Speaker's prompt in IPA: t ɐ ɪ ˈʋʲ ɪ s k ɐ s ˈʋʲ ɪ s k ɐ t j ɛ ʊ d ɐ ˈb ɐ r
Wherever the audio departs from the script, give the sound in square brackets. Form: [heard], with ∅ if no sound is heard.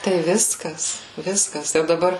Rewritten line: t ɐ ɪ ˈʋʲ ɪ s k ɐ s ˈʋʲ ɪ s k ɐ [s] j ɛ ʊ d ɐ ˈb ɐ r